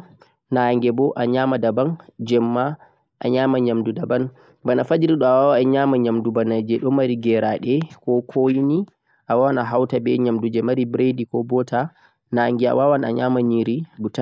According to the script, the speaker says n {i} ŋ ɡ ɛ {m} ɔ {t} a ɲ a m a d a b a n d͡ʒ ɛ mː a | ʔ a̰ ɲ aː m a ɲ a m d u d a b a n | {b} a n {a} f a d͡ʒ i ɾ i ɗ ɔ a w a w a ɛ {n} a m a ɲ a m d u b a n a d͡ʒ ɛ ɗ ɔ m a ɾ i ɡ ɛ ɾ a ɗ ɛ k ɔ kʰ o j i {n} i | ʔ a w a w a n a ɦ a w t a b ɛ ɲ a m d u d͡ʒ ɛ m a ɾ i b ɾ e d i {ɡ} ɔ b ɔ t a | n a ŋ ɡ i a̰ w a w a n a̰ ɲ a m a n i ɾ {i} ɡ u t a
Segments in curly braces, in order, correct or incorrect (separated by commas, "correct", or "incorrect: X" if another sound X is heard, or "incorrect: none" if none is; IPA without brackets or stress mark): incorrect: a, incorrect: b, incorrect: ʔ, correct, correct, incorrect: ɲ, correct, incorrect: k, correct